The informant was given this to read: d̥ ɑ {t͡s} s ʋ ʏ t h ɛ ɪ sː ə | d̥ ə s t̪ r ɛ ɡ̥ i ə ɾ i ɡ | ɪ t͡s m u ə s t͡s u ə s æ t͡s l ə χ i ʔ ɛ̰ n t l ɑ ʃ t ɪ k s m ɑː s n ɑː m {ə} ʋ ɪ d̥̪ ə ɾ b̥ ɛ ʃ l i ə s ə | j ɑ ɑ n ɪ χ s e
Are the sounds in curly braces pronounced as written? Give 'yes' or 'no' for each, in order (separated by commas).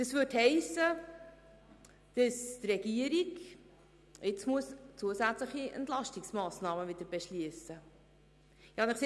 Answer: no, yes